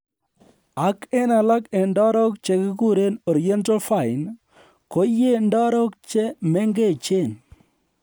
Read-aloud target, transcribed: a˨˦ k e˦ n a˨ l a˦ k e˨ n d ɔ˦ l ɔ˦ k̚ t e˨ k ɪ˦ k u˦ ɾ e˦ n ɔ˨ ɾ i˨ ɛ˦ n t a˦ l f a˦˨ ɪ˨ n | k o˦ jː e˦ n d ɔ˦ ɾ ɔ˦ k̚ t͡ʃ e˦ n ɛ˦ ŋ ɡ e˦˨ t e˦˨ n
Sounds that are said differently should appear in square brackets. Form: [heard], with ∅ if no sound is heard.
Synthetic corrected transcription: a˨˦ k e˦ n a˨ l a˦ k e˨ n d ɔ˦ [ɾ] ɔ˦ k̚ [t͡ʃ] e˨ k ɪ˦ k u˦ ɾ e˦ n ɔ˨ ɾ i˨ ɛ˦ n t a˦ l f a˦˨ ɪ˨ n | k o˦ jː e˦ n d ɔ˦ ɾ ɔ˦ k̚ t͡ʃ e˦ [m] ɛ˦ ŋ ɡ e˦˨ [t͡ʃ] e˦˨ n